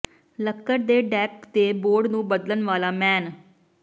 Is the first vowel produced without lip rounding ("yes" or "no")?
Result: yes